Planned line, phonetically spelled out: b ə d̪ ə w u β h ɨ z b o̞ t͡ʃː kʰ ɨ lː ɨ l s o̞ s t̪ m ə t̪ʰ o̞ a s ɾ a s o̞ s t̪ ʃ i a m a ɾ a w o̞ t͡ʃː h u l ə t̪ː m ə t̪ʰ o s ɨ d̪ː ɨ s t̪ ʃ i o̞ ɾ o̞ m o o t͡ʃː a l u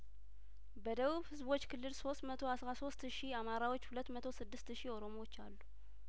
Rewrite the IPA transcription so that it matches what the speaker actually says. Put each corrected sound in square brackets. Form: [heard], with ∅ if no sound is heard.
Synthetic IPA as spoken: b ə d̪ ə [β] u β h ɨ z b o̞ t͡ʃː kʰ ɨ lː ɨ l s o̞ s t̪ m ə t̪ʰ o̞ a s ɾ a s o̞ s t̪ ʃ i a m a ɾ a w o̞ t͡ʃː h u l ə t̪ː m ə t̪ʰ o s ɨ d̪ː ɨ s t̪ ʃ i o̞ ɾ o̞ m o o t͡ʃː a [lː] u